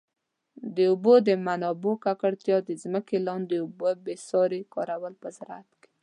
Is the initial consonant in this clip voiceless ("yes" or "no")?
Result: no